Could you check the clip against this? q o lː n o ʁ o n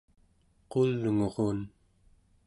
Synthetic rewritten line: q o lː ŋ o ʁ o n